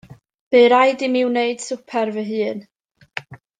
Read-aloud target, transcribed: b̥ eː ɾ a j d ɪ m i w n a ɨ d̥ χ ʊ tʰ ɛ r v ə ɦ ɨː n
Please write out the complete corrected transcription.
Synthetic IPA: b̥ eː ɾ a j d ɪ m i w n e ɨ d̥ s ʊ pʰ ɛ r v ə ɦ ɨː n